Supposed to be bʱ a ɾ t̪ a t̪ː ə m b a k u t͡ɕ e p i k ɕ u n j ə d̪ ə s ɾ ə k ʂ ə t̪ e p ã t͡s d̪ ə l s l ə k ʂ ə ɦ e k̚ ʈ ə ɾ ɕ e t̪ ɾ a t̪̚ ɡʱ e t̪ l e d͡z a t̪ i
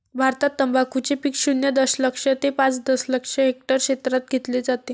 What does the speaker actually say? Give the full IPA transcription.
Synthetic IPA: bʱ a ɾ t̪ a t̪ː ə m b a k u t͡ɕ e p i k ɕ u n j ə d̪ ə s l ə k ʂ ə t̪ e p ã t͡s d̪ ə s l ə k ʂ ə ɦ e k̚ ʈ ə ɾ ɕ e t̪ ɾ a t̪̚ ɡʱ e t̪ l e d͡z a t̪ e